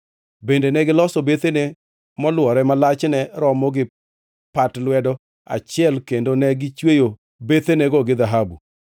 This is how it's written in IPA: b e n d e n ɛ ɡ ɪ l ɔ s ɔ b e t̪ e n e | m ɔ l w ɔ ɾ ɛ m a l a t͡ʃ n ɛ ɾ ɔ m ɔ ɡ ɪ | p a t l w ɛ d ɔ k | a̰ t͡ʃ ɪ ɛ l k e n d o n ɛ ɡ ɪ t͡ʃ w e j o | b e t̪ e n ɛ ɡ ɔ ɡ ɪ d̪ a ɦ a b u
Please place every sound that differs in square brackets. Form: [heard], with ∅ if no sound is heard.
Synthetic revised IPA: b e n d e n ɛ ɡ ɪ l ɔ s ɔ b e t̪ e n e | m ɔ l w ɔ ɾ ɛ m a l a t͡ʃ n ɛ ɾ ɔ m ɔ ɡ ɪ | p a t l w ɛ d ɔ [∅] | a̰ t͡ʃ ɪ ɛ l k e n d o n ɛ ɡ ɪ t͡ʃ w e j o | b e t̪ e n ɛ ɡ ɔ ɡ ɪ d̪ a ɦ a b u